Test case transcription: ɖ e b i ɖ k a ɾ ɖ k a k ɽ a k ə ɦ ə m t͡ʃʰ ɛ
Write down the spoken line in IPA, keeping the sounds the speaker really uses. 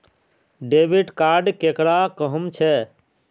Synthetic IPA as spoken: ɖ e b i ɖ k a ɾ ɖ k e k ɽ a k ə ɦ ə m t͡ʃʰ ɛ

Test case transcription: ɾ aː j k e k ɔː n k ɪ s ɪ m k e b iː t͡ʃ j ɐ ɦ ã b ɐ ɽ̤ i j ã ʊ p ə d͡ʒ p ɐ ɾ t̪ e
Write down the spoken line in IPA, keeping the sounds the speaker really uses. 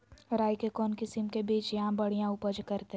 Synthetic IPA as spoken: ɾ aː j k e k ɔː n k ɪ s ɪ m k e b iː t͡ʃ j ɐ ɦ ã b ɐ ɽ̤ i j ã ʊ p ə d͡ʒ k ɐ ɾ t̪ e

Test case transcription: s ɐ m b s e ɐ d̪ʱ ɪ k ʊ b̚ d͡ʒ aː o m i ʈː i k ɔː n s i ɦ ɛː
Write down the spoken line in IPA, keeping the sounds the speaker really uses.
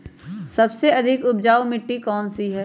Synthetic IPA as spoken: s ɐ b s e ɐ d̪ʱ ɪ k ʊ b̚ d͡ʒ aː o m ɪ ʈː i k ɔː n s i ɦ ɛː

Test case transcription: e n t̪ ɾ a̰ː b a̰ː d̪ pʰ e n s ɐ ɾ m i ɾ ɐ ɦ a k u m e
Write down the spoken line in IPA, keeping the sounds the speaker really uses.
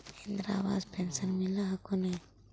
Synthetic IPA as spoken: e n d̪ ɾ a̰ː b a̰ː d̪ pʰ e n s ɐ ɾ m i l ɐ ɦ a k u n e

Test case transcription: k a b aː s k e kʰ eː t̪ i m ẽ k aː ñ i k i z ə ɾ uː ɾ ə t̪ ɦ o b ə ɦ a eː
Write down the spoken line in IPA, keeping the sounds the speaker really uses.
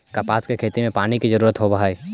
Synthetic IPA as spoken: k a p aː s k e kʰ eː t̪ i m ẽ p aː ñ i k i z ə ɾ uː ɾ ə t̪ ɦ o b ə ɦ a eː

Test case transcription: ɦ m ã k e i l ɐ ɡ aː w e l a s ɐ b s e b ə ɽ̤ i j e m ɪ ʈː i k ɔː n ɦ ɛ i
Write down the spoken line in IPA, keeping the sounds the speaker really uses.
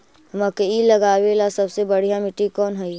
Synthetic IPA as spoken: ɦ m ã k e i l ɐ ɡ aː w e l a s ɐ b s e b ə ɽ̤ i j a m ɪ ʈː i k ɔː n ɦ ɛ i

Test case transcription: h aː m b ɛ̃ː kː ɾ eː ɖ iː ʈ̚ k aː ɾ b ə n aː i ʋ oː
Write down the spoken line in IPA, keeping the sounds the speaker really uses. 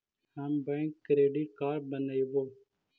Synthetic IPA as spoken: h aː m b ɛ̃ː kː ɾ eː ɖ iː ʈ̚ k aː ɾ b ə n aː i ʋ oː

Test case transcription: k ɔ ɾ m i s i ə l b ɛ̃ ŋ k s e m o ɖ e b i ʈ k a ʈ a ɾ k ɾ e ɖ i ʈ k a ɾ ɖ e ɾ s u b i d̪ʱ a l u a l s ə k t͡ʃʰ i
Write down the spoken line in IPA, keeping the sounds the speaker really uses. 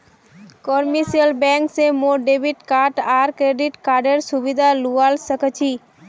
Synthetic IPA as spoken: k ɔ ɾ m i s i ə l b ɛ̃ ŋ k s e m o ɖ e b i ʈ k a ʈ a ɾ k ɾ e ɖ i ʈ k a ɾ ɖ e ɾ s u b i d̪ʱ a l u a l s ə k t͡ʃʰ i

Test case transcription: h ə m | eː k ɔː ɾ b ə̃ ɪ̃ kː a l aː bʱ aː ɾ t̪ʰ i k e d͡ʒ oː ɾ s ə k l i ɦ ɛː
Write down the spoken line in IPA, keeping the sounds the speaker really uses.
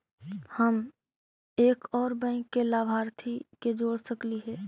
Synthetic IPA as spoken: h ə m | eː k ɔː ɾ b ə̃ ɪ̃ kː e l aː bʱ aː ɾ t̪ʰ i k e d͡ʒ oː ɽ s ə k l i ɦ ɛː

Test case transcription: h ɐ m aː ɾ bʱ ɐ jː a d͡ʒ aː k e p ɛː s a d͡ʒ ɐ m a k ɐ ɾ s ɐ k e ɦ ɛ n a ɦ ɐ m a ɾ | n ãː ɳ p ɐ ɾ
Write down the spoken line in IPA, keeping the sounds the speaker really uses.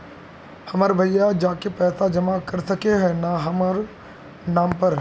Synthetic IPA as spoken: h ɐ m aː ɾ bʱ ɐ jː a d͡ʒ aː k e p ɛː s a d͡ʒ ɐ m a k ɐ ɾ s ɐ k e ɦ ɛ n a ɦ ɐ m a ɾ | n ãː m p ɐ ɾ

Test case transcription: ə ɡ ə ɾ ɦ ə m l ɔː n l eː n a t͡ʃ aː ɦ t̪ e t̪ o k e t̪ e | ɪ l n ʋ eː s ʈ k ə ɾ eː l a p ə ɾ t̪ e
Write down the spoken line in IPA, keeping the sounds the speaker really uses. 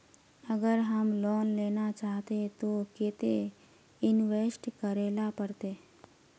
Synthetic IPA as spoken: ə ɡ ə ɾ ɦ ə m l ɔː n l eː n a t͡ʃ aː ɦ t̪ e t̪ o k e t̪ e | ɪ n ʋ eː s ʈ k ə ɾ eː l a p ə ɾ t̪ e

